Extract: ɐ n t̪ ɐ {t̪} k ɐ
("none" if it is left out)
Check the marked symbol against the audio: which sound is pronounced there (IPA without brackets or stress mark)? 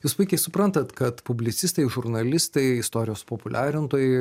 t̪